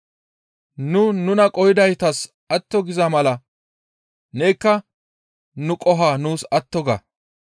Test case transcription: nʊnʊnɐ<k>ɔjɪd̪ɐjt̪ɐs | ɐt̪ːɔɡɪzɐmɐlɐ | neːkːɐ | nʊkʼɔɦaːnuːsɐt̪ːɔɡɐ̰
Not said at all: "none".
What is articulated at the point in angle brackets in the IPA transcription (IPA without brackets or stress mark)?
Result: kʼ